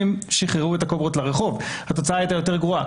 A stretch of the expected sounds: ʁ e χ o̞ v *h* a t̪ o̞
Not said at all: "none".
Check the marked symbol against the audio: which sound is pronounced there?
h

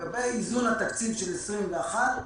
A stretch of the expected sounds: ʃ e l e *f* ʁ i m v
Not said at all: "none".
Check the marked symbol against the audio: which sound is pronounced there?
s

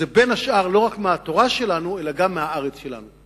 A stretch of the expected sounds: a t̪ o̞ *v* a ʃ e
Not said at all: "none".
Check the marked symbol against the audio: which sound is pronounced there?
ʁ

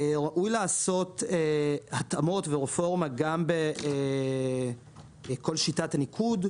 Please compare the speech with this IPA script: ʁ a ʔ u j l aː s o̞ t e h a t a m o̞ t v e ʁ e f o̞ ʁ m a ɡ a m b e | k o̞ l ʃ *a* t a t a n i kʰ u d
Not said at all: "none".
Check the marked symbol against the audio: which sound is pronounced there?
i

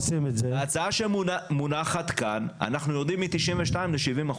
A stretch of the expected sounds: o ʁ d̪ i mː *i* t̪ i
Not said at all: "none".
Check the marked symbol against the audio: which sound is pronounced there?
i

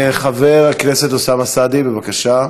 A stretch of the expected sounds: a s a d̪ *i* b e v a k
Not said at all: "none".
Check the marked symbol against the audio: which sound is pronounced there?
i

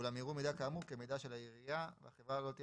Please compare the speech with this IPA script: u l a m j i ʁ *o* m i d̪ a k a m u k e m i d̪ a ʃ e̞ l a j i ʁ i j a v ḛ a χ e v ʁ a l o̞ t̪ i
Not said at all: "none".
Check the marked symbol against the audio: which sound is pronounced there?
u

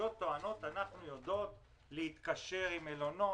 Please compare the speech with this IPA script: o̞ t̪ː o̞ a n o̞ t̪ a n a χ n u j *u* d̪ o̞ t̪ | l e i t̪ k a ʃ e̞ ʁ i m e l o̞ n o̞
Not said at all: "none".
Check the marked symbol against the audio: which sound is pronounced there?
o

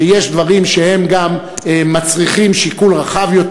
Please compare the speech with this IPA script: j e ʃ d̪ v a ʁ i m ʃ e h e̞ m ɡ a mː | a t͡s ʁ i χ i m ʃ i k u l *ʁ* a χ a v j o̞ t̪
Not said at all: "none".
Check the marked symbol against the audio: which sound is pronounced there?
ʁ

